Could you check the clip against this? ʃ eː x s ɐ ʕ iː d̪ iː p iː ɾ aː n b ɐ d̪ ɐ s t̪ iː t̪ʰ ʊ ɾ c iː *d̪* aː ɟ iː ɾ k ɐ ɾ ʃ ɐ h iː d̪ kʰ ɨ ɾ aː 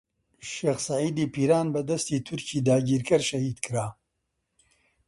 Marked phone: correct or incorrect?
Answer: correct